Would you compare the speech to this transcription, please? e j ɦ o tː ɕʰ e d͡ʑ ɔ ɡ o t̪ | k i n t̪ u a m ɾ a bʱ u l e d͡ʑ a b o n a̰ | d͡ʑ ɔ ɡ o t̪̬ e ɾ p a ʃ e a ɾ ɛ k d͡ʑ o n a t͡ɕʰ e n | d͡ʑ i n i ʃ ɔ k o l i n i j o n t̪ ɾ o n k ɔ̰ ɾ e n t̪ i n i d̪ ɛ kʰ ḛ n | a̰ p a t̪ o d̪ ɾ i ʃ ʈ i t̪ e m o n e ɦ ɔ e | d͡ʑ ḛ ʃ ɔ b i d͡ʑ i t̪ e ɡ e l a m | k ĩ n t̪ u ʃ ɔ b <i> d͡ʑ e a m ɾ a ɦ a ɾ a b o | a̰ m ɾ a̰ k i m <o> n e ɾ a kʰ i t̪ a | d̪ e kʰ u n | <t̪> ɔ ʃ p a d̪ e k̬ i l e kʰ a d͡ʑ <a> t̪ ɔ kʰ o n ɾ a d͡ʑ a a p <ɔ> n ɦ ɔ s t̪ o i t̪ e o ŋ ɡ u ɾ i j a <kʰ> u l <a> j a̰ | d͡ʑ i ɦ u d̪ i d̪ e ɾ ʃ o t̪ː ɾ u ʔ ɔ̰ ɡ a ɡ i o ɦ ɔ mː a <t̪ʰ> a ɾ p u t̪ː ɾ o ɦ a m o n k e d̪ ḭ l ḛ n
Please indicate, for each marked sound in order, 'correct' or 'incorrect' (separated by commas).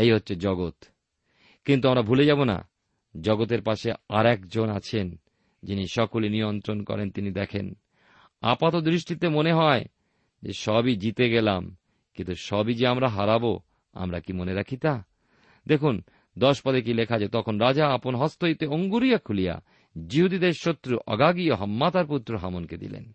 correct, correct, incorrect, incorrect, incorrect, correct, incorrect, incorrect